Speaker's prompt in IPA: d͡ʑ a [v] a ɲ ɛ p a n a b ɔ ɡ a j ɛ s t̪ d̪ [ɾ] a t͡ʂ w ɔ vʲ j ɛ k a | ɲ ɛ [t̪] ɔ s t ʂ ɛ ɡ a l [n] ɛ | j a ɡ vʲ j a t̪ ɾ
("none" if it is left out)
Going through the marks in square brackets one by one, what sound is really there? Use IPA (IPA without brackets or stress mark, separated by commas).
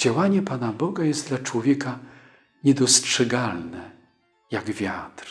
w, l, d̪, n